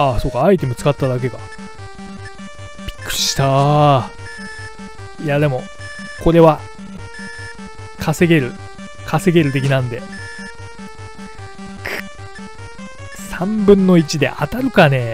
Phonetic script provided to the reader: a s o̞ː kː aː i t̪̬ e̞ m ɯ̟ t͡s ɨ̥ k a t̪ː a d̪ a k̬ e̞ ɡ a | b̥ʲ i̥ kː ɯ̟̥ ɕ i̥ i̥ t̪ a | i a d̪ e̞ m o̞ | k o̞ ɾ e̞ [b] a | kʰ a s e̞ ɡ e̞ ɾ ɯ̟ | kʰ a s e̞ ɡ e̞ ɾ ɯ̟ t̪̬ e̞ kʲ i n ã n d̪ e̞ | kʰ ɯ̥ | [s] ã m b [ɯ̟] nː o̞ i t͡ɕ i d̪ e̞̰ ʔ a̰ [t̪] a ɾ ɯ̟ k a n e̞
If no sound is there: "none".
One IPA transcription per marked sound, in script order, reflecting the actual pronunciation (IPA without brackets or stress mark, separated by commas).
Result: β, s, ɯ̟̃, t̪